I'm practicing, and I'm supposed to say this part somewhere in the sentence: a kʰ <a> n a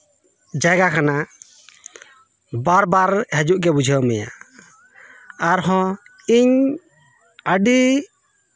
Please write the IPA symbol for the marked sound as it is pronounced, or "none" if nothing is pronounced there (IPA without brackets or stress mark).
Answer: a